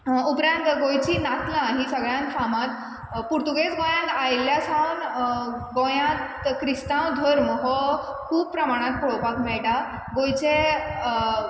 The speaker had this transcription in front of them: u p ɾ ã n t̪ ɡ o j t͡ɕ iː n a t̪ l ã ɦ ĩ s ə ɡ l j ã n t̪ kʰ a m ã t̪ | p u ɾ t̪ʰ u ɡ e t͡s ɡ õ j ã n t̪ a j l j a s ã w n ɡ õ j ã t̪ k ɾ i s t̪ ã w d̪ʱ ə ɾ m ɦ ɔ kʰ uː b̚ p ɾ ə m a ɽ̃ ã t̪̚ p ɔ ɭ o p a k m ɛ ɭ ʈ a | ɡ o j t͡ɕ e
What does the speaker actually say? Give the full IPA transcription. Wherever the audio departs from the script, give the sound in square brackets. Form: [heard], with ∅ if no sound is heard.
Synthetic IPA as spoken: u p ɾ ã n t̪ ɡ o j t͡ɕ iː n a t̪ l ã ɦ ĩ s ə ɡ [ɭ] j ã n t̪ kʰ a m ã t̪ | p u ɾ [t̪] u ɡ e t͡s ɡ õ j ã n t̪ a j l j a s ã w n ɡ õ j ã t̪ k ɾ i s t̪ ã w d̪ʱ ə ɾ m ɦ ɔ kʰ uː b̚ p ɾ ə m a ɽ̃ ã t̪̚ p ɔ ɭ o p a k m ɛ ɭ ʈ a | ɡ o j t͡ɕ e